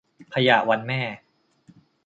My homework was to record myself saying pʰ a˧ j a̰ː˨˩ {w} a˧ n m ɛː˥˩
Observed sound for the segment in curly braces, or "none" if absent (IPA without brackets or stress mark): w